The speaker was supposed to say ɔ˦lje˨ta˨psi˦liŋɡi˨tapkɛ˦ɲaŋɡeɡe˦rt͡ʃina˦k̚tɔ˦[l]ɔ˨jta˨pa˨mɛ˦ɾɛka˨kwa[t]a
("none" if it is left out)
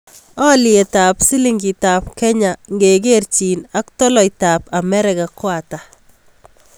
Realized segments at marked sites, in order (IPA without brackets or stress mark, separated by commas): l, t